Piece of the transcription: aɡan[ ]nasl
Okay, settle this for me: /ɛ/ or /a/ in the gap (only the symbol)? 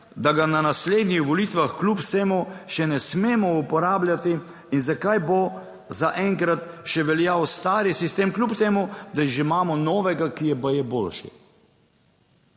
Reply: a